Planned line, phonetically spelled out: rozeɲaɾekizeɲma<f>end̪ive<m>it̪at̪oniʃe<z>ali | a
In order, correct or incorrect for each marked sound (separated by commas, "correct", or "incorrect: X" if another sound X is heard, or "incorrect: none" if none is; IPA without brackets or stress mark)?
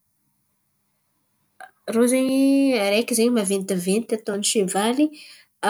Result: incorrect: v, incorrect: n, incorrect: v